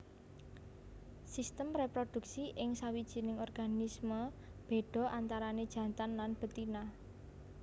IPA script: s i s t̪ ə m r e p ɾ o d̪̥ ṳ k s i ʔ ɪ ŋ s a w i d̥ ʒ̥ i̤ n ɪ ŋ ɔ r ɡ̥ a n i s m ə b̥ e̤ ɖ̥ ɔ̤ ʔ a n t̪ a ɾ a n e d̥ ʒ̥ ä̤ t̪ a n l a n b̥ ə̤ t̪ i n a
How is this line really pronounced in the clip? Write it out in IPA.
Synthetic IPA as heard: s i s t̪ ə m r e p ɾ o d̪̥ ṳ k s i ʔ ɪ ŋ s a w i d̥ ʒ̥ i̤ n ɪ ŋ ɔ r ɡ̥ a n i s m ə b̥ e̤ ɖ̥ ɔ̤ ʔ a n t̪ a ɾ a n e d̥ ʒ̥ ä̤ t̪ a n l a n b̥ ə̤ t̪ i n a